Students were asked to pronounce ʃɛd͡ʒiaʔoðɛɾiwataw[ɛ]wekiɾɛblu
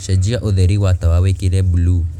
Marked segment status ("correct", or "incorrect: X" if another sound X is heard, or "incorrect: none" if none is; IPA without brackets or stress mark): incorrect: a